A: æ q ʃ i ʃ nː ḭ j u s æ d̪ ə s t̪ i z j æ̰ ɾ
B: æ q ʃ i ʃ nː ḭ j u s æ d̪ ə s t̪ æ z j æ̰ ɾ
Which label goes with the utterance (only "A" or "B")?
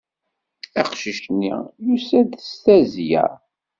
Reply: B